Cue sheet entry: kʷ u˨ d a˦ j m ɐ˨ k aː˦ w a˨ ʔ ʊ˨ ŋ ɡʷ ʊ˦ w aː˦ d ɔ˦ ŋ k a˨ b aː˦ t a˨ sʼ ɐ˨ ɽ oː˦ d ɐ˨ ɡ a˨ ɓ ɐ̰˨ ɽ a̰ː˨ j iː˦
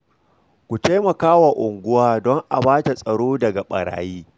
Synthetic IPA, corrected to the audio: kʷ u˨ t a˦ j m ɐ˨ k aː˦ w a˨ ʔ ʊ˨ ŋ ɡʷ ʊ˦ w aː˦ d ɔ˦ ŋ ʔ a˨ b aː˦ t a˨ sʼ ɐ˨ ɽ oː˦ d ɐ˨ ɡ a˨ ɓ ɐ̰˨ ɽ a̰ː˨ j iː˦